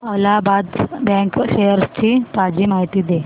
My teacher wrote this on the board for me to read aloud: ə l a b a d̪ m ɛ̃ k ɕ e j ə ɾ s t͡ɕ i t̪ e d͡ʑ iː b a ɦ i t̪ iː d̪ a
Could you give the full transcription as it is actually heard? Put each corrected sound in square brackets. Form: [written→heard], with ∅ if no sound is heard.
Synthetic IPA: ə l a b a d̪ [m→b] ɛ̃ k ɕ e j ə ɾ s t͡ɕ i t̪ [e→a] d͡ʑ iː [b→m] a ɦ i t̪ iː d̪ [a→e]